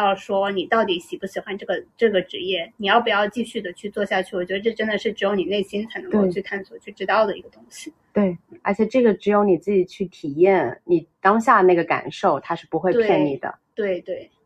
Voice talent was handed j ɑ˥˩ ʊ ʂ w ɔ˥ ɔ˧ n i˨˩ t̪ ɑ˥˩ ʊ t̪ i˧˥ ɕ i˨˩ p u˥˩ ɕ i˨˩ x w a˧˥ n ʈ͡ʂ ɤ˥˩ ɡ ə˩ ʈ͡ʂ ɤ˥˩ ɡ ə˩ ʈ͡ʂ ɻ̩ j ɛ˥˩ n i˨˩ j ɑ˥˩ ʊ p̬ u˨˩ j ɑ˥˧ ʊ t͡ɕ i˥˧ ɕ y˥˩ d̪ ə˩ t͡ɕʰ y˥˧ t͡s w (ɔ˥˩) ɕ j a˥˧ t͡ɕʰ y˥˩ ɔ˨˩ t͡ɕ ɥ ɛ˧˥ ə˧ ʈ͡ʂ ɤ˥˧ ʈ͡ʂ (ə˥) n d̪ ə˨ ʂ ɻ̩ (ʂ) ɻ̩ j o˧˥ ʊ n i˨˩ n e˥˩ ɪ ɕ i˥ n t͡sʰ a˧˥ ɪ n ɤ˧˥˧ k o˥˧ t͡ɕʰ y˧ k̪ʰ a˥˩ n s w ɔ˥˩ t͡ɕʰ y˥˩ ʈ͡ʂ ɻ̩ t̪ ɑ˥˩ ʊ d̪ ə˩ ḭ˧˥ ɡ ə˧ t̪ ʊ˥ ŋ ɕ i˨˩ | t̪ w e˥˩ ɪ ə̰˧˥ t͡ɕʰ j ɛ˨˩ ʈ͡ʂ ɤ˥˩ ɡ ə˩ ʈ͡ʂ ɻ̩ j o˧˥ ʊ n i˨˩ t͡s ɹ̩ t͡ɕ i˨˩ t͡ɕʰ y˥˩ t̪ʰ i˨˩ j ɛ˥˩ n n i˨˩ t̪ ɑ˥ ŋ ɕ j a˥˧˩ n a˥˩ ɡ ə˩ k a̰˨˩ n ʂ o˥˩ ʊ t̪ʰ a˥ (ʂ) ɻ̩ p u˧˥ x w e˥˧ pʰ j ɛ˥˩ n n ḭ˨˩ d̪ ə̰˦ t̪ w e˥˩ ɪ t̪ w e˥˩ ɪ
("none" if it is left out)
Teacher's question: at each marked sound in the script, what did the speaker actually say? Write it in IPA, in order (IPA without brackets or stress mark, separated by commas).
ɔ˥˧, ə˥, ʈ͡ʂ, ʂ